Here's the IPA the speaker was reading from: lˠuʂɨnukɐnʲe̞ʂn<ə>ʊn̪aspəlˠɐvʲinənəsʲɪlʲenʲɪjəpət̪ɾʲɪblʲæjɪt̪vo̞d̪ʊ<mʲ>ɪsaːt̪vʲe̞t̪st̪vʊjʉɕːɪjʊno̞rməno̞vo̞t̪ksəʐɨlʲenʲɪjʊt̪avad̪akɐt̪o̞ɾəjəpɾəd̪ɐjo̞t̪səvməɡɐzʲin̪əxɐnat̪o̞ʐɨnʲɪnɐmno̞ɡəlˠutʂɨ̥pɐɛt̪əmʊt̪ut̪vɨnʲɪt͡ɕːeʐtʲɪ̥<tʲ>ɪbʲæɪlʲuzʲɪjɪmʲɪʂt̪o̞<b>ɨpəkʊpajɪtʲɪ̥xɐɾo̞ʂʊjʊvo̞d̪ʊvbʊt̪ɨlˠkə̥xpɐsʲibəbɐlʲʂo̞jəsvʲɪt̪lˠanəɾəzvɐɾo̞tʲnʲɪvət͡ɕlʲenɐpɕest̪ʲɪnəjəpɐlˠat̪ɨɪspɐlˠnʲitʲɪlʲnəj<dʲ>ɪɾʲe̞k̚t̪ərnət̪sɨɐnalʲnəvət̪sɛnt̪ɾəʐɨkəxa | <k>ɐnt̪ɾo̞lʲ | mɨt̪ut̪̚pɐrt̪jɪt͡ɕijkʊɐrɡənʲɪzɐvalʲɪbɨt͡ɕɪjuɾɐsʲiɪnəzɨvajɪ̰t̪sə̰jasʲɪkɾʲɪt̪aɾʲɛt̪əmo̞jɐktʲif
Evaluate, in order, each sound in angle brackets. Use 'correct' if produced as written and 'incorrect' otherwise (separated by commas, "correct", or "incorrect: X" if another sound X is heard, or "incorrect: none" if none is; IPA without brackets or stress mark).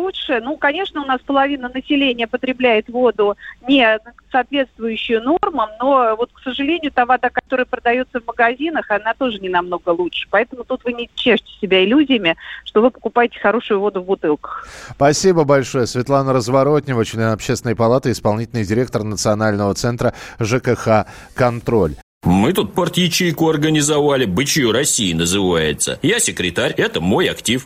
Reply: correct, incorrect: nʲ, incorrect: sʲ, incorrect: v, correct, correct